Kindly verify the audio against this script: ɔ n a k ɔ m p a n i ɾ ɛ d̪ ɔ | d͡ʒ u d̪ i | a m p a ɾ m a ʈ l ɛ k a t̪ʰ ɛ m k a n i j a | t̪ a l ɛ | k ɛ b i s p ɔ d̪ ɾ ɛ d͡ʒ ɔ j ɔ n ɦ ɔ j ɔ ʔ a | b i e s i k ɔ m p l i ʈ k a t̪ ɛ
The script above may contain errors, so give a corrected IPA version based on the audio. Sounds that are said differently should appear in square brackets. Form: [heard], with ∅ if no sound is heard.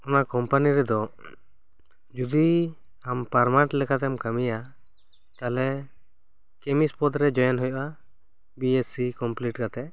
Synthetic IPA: ɔ n a k ɔ m p a n i ɾ ɛ d̪ ɔ | d͡ʒ u d̪ i | a m p a ɾ m a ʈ l ɛ k a [t̪] ɛ m k a [m] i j a | t̪ a l ɛ | k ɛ [m] i s p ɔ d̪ ɾ ɛ d͡ʒ ɔ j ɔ n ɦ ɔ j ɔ ʔ a | b i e s i k ɔ m p l i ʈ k a t̪ ɛ